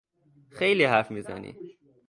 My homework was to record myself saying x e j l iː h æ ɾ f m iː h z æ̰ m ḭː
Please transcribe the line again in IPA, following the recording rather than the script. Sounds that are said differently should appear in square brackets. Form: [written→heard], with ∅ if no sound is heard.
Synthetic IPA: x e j l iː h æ ɾ f m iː [h→∅] z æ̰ [m→n] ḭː